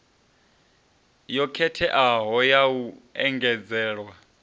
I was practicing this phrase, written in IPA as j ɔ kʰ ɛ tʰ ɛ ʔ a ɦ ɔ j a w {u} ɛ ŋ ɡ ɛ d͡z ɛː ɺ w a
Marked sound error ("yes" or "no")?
no